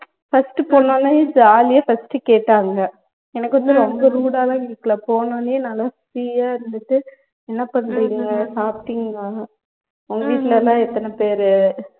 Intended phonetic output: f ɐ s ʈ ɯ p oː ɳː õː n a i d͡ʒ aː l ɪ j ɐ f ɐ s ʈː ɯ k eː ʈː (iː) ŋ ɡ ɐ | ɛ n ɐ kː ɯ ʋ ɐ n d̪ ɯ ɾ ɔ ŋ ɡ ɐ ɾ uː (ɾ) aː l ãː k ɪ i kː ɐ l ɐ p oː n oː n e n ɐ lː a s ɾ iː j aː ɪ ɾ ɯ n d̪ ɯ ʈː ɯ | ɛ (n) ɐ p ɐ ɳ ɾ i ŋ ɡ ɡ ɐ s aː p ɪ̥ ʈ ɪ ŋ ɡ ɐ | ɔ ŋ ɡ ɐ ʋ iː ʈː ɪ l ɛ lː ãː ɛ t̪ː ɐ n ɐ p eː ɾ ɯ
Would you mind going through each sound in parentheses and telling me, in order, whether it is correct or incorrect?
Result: incorrect: aː, incorrect: ɽ, incorrect: nː

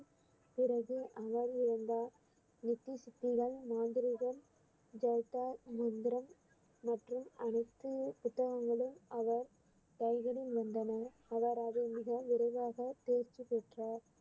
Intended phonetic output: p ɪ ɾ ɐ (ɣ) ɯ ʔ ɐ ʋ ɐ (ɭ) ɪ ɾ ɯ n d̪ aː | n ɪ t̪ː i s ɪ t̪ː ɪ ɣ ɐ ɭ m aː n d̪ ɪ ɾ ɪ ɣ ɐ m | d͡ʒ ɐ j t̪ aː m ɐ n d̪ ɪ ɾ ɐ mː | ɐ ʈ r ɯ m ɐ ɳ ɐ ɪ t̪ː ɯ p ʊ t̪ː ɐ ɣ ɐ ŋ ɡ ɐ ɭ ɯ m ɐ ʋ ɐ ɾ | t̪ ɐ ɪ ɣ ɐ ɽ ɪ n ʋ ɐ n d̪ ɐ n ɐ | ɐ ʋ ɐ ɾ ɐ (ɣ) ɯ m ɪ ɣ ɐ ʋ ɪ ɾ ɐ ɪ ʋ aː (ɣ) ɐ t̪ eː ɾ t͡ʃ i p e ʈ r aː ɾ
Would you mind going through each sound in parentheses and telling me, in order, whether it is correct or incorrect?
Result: correct, incorrect: ɾ, incorrect: ð, correct

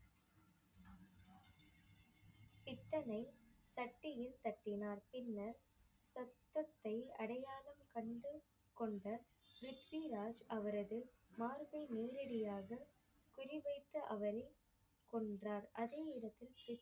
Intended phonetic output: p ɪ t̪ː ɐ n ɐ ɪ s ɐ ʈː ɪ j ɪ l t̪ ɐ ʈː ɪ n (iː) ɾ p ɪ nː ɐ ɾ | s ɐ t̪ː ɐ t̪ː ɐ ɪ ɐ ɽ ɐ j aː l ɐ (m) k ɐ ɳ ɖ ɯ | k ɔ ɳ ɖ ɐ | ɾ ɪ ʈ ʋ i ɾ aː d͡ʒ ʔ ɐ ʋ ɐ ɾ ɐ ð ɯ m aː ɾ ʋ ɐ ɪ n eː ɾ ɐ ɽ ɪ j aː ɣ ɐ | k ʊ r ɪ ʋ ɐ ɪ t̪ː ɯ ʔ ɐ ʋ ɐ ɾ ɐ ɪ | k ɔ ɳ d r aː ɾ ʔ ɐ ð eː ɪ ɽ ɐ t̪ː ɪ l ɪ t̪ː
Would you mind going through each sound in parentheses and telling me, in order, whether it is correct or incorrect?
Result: incorrect: aː, correct

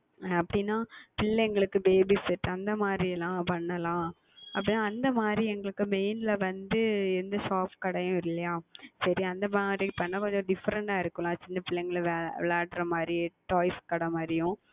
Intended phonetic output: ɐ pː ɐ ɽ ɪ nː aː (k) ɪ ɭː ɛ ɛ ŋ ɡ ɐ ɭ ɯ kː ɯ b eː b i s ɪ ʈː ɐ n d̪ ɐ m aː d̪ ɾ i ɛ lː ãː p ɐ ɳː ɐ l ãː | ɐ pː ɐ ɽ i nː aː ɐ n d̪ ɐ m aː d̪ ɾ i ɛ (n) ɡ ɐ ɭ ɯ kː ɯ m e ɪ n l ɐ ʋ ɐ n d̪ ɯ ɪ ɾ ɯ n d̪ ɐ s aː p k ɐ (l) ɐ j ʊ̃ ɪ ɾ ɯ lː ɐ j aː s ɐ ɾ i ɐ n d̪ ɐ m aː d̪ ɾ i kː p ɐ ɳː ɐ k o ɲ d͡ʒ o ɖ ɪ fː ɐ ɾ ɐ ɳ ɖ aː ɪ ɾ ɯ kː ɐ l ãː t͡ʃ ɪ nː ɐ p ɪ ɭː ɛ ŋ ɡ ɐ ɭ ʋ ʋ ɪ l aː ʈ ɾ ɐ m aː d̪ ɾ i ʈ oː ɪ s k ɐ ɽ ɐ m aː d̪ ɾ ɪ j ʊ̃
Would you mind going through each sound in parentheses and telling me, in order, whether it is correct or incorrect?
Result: incorrect: p, incorrect: ŋ, incorrect: ɽ

